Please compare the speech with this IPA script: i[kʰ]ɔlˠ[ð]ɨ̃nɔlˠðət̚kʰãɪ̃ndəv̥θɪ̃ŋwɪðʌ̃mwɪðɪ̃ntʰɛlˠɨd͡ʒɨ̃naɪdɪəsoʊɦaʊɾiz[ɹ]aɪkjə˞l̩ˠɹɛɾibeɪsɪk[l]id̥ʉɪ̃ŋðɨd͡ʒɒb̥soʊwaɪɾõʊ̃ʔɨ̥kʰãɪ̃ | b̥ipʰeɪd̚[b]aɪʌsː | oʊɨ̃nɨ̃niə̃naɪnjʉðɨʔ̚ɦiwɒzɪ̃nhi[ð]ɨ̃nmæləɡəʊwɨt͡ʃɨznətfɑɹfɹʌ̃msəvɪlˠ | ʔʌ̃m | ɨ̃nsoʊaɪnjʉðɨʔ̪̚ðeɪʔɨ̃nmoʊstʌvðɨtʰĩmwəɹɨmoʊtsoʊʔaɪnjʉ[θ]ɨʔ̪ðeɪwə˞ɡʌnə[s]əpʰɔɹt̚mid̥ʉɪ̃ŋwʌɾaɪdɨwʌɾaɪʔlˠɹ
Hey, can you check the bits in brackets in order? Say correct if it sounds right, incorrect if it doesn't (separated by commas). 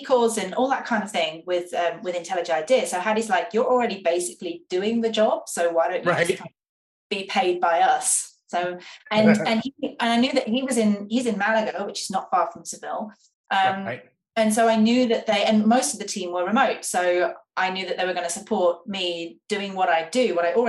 correct, incorrect, incorrect, correct, correct, incorrect, incorrect, correct